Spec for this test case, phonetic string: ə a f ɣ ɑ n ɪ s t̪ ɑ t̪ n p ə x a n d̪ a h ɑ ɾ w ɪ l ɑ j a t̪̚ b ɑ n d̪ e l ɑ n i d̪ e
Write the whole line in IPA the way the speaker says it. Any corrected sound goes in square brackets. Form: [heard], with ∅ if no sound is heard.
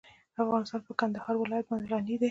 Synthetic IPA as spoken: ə a f ɣ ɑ n ɪ s t̪ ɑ [∅] n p ə [k] a n d̪ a h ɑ ɾ w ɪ l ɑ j a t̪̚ b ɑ n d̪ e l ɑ n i d̪ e

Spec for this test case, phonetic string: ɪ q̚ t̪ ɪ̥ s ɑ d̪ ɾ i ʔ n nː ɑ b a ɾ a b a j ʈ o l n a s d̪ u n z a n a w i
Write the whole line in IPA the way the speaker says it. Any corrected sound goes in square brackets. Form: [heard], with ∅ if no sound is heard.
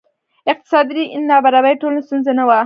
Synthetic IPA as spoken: ɪ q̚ t̪ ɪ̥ s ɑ d̪ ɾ i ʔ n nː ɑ b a ɾ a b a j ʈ o l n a s [t̪] u n z a n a w [a]

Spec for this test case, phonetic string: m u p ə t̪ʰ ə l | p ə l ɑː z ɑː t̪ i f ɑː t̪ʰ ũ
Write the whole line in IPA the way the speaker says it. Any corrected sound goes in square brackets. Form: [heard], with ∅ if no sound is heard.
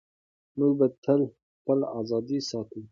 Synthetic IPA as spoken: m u [b] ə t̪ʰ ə l | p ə l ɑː z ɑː [d̪] i [s] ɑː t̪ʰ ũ

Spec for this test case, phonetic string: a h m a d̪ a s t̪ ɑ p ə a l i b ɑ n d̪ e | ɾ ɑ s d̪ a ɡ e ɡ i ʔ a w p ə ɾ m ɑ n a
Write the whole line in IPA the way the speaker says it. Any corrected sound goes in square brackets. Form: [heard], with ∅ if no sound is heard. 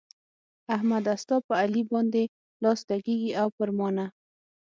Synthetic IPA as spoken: a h m a d̪ a s t̪ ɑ p ə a l i b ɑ n d̪ e | [l] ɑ s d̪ a ɡ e ɡ i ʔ a w p ə ɾ m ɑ n a

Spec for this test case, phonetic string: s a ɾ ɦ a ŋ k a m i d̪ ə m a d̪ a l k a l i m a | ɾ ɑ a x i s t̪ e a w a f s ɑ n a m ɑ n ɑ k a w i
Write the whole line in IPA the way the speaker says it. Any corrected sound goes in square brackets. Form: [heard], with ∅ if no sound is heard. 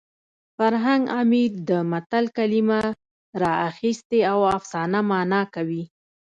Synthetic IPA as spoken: [f] a ɾ ɦ a ŋ [ɡ] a m i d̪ ə m a [t̪] a l k a l i m a | ɾ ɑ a x i s t̪ e a w a f s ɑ n a m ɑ n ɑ k a w i

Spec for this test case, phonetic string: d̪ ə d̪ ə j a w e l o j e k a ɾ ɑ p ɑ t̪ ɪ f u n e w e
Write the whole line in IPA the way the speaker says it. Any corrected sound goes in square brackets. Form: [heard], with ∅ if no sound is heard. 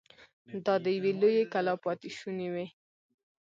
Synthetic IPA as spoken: d̪ [ɑ] d̪ ə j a w e l o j e k a [l] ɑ p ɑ t̪ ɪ [ʃ] u n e w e

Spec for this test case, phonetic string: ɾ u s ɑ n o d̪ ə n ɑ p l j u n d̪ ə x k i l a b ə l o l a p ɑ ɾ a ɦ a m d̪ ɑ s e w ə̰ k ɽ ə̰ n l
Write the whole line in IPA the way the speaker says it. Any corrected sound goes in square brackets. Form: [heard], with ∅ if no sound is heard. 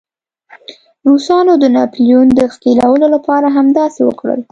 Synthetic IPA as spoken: ɾ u s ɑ n o d̪ ə n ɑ p l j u n d̪ ə x k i l a [w] ə l o l a p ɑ ɾ a ɦ a m d̪ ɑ s e w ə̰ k ɽ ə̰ [∅] l

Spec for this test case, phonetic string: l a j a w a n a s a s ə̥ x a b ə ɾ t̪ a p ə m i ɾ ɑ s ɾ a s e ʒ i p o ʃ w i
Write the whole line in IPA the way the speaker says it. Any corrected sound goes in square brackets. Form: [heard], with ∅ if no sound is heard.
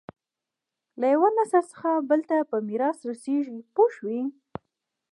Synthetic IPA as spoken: l a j a w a n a s a s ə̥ x a b ə [l] t̪ a p ə m i ɾ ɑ s ɾ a s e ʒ i p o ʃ w i

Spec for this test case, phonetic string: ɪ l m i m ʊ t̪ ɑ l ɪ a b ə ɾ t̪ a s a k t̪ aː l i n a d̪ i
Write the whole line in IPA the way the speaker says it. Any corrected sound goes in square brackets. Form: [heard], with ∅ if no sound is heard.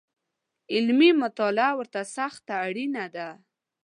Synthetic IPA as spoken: ɪ l m i m ʊ t̪ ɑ l ɪ a [w] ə ɾ t̪ a s a [x] t̪ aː [ɽ] i n a d̪ [a]

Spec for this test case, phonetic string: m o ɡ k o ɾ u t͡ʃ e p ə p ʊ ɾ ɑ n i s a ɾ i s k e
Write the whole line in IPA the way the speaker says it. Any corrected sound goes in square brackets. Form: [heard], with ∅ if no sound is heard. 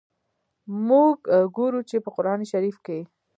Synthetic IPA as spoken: m [u] ɡ [ɡ] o ɾ u t͡ʃ e p ə [q] ʊ ɾ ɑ n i [ʃ] a ɾ i [f] k e

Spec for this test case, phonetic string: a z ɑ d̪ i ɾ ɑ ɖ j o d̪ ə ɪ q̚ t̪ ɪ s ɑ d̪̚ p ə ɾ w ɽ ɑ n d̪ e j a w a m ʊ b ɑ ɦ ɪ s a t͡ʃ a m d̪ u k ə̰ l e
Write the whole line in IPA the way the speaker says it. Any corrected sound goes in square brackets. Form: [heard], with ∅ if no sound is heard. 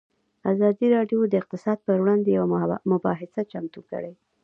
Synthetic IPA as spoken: a z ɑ d̪ i ɾ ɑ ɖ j o d̪ ə ɪ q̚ t̪ ɪ s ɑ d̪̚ p ə ɾ w ɽ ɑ n d̪ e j a w a m ʊ b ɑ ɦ ɪ s a t͡ʃ a m [t̪] u k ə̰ [ɽ] e

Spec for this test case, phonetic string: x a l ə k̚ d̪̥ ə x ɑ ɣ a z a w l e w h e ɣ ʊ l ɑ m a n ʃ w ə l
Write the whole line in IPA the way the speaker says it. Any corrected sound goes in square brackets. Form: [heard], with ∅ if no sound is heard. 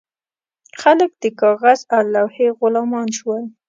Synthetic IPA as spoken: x a l ə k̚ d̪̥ ə [k] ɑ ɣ a z a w l [a] w h e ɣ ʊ l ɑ m [ɑ] n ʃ w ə l

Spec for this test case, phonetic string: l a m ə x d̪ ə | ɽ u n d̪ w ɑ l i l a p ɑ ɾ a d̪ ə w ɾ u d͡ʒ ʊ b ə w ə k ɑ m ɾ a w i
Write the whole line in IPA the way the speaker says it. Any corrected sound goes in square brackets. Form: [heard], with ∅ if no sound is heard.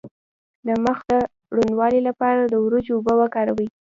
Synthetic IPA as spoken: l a m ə x d̪ ə | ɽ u n d̪ w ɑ l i l a p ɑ ɾ a d̪ ə w ɾ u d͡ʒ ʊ b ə w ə k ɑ [∅] ɾ a w i

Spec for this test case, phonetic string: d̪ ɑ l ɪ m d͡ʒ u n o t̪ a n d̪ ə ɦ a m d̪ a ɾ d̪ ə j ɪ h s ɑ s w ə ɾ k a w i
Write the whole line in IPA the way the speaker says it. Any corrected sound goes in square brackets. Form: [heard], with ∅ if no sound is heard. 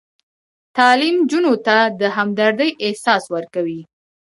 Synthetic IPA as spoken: [t̪] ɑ l [i] m d͡ʒ u n o t̪ a [∅] d̪ ə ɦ a m d̪ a ɾ d̪ ə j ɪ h s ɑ s w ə ɾ k a w i

